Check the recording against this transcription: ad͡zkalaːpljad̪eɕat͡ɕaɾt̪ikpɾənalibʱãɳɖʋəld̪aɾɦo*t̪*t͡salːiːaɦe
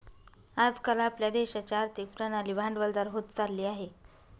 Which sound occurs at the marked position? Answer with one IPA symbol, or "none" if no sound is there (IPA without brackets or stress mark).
t̪